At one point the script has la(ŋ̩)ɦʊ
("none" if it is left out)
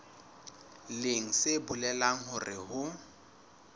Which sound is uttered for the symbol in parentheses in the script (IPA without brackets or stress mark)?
ŋ̩